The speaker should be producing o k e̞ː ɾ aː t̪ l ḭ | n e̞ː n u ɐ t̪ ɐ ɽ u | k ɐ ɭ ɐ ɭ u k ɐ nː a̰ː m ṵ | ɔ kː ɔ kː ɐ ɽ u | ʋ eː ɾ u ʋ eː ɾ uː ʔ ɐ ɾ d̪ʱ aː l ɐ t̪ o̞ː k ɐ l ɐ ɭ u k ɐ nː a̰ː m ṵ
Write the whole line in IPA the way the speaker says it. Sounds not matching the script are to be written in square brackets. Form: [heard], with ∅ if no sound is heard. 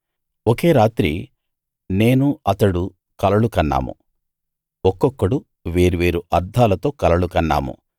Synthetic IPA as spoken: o k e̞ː ɾ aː t̪ [ɾ] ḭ | n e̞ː n u ɐ t̪ ɐ ɽ u | k ɐ [l] ɐ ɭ u k ɐ nː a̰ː m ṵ | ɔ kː ɔ kː ɐ ɽ u | ʋ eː ɾ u ʋ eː ɾ [u] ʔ ɐ ɾ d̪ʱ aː l ɐ t̪ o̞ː k ɐ l ɐ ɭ u k ɐ nː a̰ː m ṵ